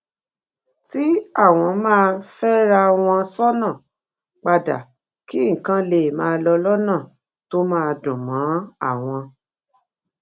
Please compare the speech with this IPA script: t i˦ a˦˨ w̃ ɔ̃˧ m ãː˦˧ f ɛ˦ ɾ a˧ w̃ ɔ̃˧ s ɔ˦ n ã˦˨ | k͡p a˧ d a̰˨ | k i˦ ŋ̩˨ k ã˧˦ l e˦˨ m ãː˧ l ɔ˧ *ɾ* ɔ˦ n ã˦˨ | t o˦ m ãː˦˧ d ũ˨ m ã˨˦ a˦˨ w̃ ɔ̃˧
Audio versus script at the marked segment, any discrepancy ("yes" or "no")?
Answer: yes